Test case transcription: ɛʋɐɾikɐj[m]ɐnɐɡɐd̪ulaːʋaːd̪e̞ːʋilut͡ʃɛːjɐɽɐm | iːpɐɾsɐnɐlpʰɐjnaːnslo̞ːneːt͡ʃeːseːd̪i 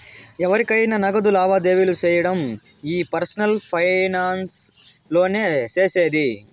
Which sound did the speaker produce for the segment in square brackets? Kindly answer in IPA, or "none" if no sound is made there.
n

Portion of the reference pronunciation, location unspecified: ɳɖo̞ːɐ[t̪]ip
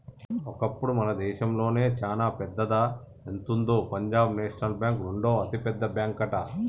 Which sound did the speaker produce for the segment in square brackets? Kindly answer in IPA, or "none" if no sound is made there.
t̪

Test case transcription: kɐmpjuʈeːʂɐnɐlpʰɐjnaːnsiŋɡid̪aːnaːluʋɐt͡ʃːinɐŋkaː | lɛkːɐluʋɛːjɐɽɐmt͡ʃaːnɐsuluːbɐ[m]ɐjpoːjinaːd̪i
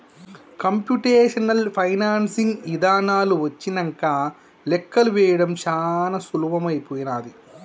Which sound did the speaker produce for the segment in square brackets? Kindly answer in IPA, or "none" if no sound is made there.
m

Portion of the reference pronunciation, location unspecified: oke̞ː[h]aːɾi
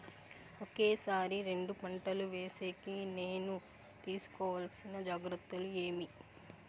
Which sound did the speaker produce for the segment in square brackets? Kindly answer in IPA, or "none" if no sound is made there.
s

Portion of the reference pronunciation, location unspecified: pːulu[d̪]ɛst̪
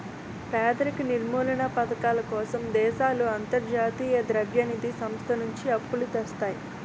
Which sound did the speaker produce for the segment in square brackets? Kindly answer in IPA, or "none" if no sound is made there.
t̪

